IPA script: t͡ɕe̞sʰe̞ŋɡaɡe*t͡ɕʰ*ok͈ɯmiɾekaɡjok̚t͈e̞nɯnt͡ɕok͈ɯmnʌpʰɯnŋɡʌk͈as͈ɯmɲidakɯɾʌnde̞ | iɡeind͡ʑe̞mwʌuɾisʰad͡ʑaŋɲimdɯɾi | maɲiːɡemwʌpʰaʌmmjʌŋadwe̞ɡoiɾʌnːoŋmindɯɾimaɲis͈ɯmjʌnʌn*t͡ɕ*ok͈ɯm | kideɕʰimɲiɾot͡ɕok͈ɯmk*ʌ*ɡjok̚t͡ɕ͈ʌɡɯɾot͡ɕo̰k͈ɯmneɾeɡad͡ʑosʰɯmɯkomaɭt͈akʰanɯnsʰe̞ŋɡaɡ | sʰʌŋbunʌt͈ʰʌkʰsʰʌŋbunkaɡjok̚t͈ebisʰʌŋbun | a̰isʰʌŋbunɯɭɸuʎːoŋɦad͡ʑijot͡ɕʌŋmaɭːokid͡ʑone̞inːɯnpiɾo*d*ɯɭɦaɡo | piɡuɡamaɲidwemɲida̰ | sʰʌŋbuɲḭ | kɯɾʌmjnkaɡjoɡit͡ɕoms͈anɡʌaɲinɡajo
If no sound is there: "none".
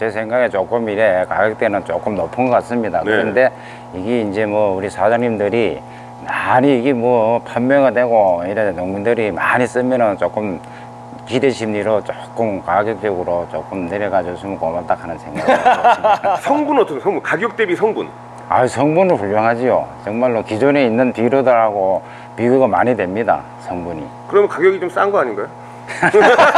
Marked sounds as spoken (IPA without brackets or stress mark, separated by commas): t͡ɕ, t͡ɕ, a, d